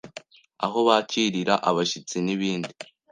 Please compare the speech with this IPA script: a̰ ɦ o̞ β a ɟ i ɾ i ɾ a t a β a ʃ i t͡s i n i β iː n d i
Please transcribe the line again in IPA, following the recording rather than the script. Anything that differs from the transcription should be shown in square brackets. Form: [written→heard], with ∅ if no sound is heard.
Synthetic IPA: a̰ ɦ o̞ β a [ɟ→c] i ɾ i ɾ a [t→ʔ] a β a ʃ i t͡s i n i β iː n d i